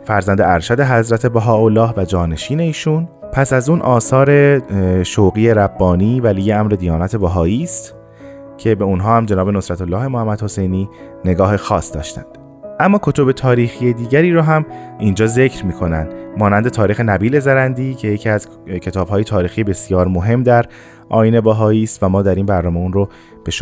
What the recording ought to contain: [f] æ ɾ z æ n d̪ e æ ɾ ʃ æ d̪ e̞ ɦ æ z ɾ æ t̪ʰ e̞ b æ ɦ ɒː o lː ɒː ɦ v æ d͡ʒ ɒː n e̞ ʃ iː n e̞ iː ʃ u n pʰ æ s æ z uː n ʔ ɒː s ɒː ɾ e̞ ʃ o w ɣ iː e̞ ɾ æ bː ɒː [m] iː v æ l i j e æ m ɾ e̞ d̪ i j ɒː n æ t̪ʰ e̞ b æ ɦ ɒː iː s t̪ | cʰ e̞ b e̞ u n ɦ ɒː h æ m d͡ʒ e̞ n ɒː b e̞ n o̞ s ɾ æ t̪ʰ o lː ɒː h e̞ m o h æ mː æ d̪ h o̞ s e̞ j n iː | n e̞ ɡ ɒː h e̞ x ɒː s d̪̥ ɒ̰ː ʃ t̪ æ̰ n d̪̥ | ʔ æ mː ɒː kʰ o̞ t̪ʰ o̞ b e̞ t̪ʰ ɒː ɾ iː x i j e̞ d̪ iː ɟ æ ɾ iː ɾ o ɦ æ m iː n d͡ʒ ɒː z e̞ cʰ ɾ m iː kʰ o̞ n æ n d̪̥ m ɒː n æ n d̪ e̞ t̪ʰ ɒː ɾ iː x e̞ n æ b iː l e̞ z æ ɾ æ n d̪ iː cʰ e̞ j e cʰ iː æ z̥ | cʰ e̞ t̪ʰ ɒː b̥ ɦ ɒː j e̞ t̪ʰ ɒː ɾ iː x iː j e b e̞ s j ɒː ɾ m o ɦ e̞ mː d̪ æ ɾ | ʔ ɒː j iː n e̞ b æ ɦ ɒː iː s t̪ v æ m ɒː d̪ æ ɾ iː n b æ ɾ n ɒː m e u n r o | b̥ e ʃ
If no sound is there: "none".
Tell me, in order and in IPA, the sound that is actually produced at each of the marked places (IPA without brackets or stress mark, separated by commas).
f, n